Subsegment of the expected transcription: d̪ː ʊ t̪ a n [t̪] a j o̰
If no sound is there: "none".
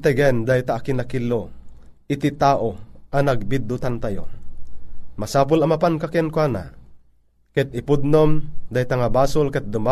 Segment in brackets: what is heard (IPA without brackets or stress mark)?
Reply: t̪